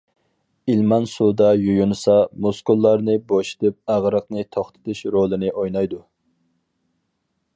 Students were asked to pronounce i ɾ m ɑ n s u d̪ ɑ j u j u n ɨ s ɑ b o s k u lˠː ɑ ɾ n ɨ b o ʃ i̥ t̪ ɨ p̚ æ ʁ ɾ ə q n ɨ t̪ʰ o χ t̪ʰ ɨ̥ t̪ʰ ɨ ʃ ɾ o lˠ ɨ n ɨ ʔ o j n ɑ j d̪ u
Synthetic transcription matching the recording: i l m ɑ n s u d̪ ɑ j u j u n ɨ s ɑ m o s k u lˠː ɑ ɾ n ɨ b o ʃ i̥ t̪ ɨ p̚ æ ʁ ɾ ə q n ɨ t̪ʰ o χ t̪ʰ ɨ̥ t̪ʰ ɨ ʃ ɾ o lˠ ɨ n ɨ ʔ o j n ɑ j d̪ u